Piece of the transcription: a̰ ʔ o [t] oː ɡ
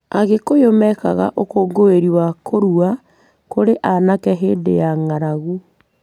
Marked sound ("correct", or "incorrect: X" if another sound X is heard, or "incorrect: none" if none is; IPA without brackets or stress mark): incorrect: k